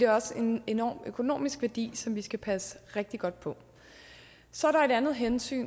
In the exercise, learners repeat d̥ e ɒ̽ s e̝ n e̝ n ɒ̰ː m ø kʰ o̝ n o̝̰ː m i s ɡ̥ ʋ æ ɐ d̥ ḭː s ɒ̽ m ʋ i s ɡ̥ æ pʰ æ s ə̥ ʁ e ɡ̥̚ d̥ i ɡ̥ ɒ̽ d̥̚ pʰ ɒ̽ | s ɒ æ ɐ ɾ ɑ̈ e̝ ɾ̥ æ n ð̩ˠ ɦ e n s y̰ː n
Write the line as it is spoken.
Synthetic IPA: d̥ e ɒ̽ s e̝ n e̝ n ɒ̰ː m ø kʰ o̝ n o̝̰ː m i s ɡ̥ ʋ æ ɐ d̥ ḭː s ɒ̽ m ʋ i s ɡ̥ æ pʰ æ s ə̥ ʁ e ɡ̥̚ d̥ i ɡ̥ ɒ̽ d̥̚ pʰ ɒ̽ | s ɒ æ ɐ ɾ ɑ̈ e̝ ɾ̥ æ n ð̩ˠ ɦ e n s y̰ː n